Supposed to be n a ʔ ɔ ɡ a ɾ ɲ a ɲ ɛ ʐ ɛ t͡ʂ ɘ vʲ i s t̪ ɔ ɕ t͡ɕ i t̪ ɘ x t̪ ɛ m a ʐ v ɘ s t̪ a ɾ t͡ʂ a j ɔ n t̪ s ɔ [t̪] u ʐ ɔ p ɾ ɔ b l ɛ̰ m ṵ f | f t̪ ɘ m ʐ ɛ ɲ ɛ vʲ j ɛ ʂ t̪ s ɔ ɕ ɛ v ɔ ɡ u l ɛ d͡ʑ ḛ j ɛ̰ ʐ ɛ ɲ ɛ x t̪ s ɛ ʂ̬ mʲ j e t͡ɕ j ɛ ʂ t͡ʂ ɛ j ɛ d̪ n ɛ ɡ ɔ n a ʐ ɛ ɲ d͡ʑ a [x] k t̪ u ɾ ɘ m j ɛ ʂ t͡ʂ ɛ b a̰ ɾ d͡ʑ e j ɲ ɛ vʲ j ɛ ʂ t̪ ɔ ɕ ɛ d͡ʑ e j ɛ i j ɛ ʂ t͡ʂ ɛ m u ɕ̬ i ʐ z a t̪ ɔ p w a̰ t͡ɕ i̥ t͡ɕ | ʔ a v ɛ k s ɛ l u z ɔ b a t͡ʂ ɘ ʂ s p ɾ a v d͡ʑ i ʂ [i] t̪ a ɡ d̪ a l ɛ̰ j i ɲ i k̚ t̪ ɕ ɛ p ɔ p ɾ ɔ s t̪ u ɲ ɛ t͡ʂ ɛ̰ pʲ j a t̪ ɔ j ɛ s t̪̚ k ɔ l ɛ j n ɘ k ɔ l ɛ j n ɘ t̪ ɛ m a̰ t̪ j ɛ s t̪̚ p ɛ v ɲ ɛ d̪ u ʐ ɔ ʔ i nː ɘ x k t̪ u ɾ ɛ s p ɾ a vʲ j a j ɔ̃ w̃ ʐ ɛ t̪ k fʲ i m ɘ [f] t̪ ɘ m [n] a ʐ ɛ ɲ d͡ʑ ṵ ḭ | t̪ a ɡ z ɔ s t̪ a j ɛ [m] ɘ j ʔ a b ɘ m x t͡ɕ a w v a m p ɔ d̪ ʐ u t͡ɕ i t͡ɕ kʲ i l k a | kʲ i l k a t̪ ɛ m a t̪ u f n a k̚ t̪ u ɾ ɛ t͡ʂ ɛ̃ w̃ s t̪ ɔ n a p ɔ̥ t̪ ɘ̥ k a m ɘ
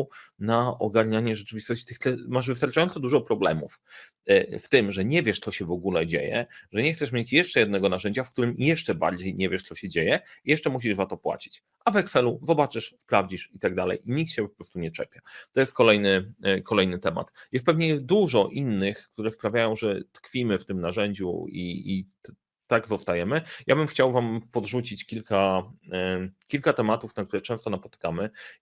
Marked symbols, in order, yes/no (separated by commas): no, no, yes, yes, yes, yes